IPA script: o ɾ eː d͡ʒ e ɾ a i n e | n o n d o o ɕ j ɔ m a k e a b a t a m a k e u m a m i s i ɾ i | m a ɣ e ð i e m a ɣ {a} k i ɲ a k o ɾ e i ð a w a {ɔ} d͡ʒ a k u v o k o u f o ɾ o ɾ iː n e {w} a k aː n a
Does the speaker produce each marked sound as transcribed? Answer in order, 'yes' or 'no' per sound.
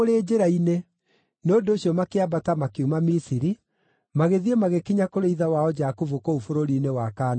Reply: no, yes, yes

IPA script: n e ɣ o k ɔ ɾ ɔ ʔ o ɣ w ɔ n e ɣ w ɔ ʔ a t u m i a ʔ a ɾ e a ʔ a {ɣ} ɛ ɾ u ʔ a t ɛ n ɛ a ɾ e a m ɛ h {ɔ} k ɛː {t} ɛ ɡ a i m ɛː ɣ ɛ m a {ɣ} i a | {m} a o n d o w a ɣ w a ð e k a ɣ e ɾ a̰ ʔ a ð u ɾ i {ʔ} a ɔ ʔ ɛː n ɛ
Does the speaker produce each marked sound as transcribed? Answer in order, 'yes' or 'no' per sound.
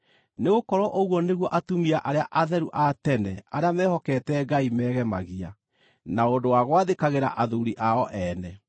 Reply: no, yes, yes, yes, no, yes

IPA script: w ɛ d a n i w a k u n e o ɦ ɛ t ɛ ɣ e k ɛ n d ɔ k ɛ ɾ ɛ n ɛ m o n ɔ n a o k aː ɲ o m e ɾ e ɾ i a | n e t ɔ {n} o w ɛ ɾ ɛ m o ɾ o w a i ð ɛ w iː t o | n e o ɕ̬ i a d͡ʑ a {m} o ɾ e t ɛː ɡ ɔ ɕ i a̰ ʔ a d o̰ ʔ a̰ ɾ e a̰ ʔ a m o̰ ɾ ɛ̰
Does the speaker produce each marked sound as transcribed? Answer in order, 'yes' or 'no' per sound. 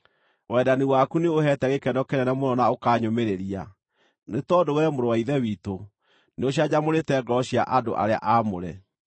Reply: no, yes

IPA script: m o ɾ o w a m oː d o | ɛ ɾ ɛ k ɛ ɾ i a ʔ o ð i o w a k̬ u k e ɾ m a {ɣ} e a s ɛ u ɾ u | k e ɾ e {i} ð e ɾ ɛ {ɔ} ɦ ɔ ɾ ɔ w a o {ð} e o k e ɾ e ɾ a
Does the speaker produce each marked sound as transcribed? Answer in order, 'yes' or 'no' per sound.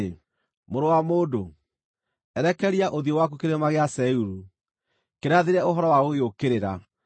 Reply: yes, no, no, no

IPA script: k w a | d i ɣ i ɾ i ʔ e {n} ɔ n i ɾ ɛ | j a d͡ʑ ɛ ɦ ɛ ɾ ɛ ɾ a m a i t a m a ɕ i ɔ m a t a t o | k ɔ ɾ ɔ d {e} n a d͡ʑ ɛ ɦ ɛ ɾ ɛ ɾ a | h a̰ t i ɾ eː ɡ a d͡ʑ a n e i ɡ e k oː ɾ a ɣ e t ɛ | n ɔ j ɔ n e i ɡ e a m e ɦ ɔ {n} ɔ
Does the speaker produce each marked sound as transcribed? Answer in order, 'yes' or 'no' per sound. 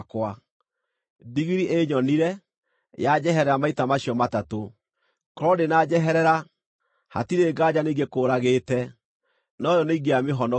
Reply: no, yes, yes

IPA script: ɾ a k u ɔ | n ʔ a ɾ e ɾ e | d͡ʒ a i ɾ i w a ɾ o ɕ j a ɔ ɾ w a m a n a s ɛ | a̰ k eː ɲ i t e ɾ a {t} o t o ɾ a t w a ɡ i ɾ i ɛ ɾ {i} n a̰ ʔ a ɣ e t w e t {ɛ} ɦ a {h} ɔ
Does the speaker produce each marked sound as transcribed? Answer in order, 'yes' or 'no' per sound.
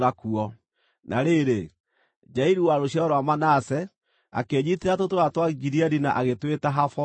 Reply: yes, yes, no, no

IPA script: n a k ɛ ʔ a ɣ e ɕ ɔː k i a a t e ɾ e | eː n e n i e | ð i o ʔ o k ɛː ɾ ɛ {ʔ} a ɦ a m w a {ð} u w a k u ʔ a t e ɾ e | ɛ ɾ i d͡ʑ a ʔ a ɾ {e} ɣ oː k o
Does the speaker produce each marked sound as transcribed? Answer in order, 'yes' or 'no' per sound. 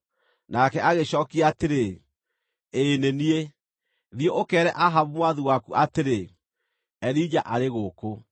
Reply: yes, yes, yes

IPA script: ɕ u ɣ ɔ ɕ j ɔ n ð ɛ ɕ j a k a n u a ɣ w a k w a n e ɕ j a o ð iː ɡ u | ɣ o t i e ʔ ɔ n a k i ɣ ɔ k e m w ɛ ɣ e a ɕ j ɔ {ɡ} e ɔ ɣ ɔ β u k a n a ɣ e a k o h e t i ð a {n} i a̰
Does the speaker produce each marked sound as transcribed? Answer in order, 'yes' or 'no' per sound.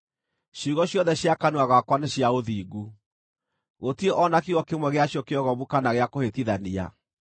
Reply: no, yes

